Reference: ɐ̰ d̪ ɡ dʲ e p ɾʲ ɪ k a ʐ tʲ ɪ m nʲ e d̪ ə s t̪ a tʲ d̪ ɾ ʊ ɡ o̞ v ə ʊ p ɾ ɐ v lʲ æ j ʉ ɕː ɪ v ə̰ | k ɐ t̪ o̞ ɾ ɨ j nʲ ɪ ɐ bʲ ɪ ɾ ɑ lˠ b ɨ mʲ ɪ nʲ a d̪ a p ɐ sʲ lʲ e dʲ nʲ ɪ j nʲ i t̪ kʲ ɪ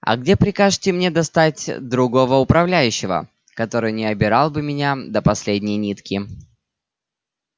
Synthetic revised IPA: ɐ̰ ɡ dʲ e p ɾʲ ɪ k a ʐ tʲ ɪ m nʲ e d̪ ɐ s t̪ a tʲ d̪ ɾ ʊ ɡ o̞ v ə ʊ p ɾ ɐ v lʲ æ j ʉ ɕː ɪ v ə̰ | k ɐ t̪ o̞ ɾ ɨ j nʲ ɪ ɐ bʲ ɪ ɾ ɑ lˠ b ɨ mʲ ɪ nʲ a d̪ ə p ɐ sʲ lʲ e dʲ nʲ ɪ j nʲ i t̪ kʲ ɪ